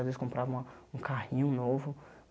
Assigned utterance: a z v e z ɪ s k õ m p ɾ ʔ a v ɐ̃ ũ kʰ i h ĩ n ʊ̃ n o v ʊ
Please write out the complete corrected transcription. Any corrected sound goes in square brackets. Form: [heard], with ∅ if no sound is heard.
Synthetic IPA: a z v e z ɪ s k õ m p ɾ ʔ a v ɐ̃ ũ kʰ [a] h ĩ [ɲ] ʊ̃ n o v ʊ